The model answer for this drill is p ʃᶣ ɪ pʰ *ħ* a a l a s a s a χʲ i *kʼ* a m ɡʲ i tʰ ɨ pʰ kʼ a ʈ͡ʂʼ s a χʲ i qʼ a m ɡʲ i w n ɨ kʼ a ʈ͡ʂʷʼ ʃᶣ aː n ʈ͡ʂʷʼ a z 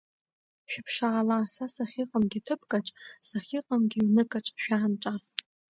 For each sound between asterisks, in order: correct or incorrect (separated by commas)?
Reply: incorrect, incorrect